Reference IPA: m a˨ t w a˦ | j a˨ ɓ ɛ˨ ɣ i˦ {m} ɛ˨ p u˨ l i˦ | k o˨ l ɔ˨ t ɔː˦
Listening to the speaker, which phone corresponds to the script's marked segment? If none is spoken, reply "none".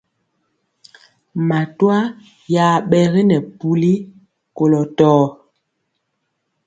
n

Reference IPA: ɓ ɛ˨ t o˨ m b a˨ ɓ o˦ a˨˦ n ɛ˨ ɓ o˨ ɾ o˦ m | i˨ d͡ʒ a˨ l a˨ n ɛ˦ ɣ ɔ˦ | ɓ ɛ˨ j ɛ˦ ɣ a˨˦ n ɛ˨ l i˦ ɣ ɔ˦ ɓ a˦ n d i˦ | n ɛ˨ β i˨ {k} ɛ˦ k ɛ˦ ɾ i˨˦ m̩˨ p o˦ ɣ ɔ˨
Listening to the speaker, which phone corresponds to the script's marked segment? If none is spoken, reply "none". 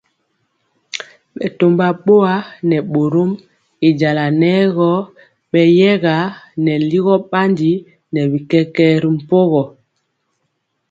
k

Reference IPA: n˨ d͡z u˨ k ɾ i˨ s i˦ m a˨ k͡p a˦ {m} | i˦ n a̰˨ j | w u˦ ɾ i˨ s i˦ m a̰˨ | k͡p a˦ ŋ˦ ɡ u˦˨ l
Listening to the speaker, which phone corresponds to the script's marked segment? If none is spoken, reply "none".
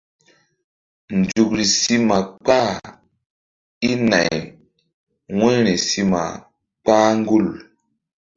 none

